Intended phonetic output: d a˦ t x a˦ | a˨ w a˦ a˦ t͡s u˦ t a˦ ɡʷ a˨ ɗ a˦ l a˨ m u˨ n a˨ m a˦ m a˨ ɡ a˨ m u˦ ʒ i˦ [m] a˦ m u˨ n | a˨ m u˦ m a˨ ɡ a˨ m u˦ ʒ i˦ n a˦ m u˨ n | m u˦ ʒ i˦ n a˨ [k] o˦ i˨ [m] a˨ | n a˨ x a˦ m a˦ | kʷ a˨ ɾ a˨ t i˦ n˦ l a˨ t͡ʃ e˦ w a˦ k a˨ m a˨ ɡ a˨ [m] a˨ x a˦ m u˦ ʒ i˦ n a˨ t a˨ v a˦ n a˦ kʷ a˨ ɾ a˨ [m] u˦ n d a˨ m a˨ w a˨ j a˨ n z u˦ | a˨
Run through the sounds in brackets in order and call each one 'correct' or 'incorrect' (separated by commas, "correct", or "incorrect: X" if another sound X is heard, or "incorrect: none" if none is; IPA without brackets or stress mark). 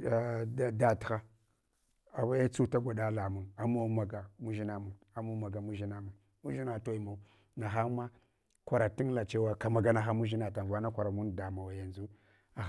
incorrect: n, incorrect: t, correct, incorrect: n, correct